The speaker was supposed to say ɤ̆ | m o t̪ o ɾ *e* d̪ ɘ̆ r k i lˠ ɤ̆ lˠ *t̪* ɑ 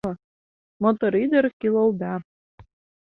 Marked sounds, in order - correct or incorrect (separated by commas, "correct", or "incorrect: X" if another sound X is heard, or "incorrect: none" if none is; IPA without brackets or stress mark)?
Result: incorrect: i, incorrect: d̪